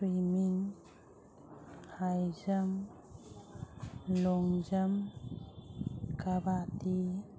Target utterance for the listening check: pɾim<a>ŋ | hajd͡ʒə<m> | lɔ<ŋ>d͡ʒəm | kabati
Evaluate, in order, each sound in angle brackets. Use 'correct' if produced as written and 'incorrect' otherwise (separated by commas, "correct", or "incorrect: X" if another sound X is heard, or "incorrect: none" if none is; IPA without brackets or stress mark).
incorrect: i, correct, correct